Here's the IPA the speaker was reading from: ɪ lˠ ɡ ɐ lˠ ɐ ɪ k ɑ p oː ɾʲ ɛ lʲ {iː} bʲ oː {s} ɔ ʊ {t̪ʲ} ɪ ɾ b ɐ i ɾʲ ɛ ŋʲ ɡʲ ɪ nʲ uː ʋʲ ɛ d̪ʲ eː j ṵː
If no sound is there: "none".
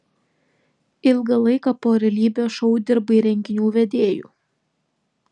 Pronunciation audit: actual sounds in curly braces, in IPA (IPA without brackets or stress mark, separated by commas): iː, ʃ, d̪ʲ